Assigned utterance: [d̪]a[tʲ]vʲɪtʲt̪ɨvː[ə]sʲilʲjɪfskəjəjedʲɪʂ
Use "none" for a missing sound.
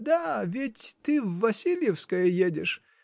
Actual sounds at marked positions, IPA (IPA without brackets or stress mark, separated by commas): d̪, none, ɐ